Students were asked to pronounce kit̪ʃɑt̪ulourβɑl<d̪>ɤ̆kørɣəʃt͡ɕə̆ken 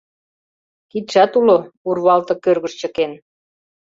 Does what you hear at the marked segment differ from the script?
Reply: yes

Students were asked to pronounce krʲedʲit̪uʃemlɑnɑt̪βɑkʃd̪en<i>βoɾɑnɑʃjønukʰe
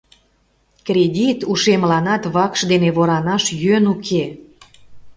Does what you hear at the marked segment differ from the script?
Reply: yes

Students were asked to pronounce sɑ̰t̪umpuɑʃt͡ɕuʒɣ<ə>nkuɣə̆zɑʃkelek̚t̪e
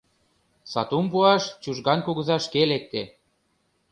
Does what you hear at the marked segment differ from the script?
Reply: yes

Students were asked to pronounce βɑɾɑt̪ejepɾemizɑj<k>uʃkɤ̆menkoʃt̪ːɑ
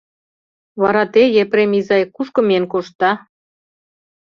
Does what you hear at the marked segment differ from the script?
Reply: no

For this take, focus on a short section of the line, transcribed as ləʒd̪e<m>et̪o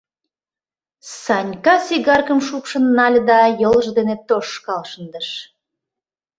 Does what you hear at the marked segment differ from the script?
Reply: yes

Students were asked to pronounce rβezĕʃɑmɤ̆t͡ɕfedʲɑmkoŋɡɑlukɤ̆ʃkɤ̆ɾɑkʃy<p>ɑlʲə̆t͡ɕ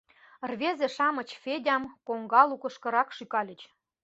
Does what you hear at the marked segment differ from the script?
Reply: yes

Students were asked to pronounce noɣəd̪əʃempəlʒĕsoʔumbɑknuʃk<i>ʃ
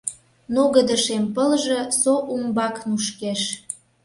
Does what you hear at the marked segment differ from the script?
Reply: yes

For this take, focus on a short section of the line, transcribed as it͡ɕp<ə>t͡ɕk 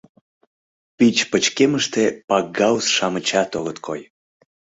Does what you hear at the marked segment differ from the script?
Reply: no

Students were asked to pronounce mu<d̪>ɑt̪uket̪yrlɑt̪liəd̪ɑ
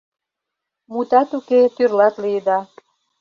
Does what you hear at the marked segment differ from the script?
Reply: yes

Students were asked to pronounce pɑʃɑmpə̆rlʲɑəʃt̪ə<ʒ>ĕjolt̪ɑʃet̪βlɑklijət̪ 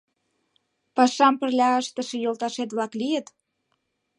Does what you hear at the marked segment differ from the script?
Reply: yes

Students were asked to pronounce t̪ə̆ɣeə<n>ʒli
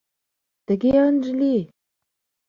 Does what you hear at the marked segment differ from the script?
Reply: no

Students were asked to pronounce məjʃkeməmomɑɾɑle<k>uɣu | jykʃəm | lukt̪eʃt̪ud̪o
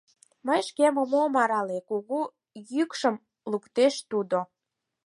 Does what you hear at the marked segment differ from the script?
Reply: no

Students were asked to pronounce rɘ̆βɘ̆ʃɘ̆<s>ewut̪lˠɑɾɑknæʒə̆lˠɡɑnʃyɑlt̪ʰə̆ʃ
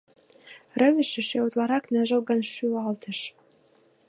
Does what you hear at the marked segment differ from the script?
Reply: yes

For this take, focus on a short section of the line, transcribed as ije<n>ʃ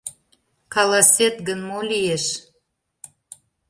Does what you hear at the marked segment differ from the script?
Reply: yes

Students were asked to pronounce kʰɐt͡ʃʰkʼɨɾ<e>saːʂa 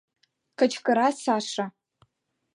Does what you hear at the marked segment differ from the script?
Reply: yes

